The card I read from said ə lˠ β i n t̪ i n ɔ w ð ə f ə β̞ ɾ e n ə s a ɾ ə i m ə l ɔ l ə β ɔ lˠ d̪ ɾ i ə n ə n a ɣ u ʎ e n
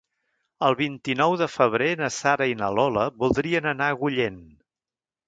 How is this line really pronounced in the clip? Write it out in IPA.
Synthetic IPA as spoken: ə lˠ β i n t̪ i n ɔ w ð ə f ə β̞ ɾ e n ə s a ɾ ə i n ə l ɔ l ə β u lˠ d̪ ɾ i ə n ə n a ɣ u ʎ e n

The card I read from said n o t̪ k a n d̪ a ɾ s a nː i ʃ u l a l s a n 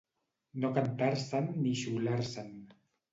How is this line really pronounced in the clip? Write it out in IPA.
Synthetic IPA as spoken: n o k a n t̪ a ɾ s a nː i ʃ u l a ɾ s a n

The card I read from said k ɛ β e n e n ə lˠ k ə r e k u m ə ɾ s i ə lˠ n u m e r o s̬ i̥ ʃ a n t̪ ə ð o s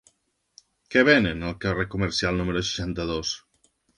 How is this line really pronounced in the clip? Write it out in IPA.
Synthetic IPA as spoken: k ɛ β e n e n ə lˠ k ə r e k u m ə ɾ s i a lˠ n u m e ɾ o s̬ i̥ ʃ a n t̪ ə ð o s

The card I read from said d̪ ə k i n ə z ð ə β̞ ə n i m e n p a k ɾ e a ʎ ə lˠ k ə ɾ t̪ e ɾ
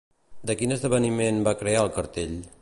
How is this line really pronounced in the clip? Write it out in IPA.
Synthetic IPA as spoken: d̪ ə k i n ə z ð ə β̞ ə n i m e n b a k ɾ e a ə lˠ k ə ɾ t̪ e ʎ

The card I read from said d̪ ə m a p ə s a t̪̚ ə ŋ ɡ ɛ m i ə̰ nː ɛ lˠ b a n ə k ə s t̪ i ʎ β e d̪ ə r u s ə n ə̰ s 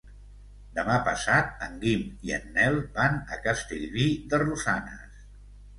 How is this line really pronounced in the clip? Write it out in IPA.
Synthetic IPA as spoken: d̪ ə m a p ə s a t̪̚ ə ŋ ɡ i m i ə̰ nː ɛ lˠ b a n ə k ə s t̪ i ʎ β i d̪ ə r u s a n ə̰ s

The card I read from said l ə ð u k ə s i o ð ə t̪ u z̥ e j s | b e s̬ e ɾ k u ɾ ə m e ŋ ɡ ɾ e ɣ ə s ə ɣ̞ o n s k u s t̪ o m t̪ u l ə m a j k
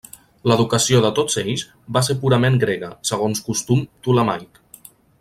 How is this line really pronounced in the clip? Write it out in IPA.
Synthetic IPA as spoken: l ə ð u k ə s i o ð ə t̪ o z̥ e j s | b a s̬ e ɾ p u ɾ ə m e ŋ ɡ ɾ e ɣ ə s ə ɣ̞ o n s k u s t̪ u m t̪ u l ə m a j k

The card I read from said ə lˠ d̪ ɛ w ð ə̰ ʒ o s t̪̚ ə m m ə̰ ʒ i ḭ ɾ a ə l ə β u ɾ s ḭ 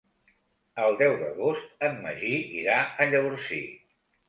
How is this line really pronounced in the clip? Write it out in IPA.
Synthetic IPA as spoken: ə lˠ d̪ ɛ w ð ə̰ ɣ o s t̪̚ ə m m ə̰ ʒ i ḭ ɾ a ə ʎ ə β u ɾ s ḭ

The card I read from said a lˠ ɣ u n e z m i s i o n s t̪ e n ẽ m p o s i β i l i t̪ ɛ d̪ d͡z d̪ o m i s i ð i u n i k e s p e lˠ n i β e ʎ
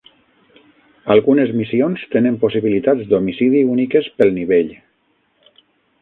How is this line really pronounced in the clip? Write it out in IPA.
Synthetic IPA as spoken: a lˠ ɣ u n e z m i s i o n s t̪ e n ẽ m p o s i β i l i t̪ a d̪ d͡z d̪ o m i s i ð i u n i k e s p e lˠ n i β e ʎ

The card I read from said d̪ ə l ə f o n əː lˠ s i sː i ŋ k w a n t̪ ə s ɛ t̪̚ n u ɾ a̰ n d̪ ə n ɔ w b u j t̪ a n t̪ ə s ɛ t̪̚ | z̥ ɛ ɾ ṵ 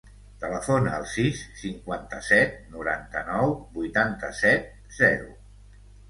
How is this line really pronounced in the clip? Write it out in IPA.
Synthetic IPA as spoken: t̪ ə l ə f o n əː lˠ s i sː i ŋ k w a n t̪ ə s ɛ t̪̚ n u ɾ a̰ n t̪ ə n ɔ w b u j t̪ a n t̪ ə s ɛ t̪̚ | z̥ ɛ ɾ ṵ

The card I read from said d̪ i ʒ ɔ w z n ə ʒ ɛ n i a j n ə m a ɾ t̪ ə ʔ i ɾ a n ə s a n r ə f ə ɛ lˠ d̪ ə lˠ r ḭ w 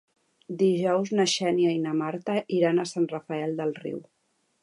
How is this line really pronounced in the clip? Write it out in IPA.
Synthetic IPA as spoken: d̪ i ʒ ɔ w z n ə ʃ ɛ n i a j n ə m a ɾ t̪ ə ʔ i ɾ a n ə s a n r ə f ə ɛ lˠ d̪ ə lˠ r ḭ w

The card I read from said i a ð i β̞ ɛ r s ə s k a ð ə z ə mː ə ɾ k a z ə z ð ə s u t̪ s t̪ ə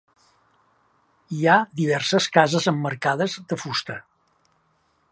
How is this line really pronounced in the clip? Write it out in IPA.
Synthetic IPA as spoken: i a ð i β̞ ɛ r s ə s k a z ə z ə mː ə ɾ k a ð ə z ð ə f u s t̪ ə

